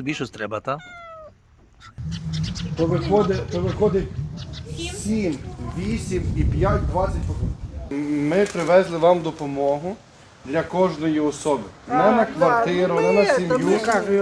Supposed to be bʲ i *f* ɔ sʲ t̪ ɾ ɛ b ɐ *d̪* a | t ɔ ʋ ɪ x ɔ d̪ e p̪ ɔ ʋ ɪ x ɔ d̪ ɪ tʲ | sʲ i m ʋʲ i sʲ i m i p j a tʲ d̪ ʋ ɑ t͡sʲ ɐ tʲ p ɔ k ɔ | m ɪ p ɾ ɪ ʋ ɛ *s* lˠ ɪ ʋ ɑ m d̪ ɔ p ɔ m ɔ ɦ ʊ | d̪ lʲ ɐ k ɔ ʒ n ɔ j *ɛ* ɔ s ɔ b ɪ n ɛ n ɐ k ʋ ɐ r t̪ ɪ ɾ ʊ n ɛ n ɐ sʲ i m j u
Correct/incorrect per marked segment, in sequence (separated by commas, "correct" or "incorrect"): incorrect, incorrect, incorrect, incorrect